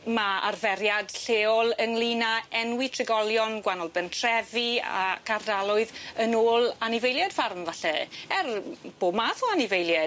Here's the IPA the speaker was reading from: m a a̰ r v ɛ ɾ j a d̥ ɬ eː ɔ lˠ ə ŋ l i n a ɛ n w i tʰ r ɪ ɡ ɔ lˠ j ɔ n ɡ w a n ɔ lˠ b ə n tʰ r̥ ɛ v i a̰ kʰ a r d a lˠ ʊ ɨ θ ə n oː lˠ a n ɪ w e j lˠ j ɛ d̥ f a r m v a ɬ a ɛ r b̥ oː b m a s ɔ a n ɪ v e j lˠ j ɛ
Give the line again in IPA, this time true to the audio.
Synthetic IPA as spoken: m a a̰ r v ɛ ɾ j a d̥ ɬ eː ɔ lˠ ə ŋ l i n a ɛ n w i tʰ r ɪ ɡ ɔ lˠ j ɔ n ɡ w a n ɔ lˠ b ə n tʰ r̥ ɛ v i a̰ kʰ a r d a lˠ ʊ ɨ ð ə n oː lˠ a n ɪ v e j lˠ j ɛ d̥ f a r m v a ɬ ɛ ɛ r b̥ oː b m a θ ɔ a n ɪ v e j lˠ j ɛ